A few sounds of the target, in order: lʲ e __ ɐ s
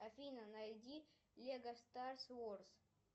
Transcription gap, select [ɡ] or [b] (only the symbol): ɡ